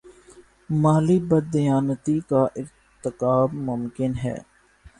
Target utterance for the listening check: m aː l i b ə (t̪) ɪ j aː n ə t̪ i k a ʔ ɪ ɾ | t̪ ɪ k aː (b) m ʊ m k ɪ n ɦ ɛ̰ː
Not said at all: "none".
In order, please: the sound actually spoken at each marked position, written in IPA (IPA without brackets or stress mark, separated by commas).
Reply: d̪, b